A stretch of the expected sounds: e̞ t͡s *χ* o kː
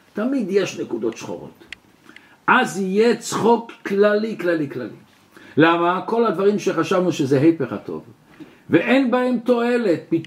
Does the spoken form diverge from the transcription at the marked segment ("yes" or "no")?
no